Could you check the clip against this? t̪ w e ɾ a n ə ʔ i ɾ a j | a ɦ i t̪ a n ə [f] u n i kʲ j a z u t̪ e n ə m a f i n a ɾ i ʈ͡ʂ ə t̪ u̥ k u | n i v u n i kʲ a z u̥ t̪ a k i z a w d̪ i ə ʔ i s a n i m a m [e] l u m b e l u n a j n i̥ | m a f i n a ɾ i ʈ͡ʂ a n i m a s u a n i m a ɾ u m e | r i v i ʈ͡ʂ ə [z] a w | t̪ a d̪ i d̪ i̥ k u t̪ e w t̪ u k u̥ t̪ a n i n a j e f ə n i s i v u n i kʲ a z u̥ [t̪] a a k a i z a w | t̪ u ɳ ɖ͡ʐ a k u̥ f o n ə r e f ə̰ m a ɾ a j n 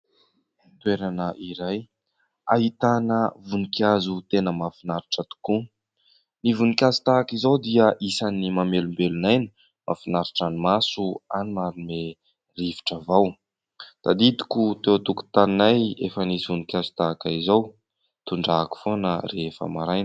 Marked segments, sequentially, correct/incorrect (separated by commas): incorrect, correct, incorrect, correct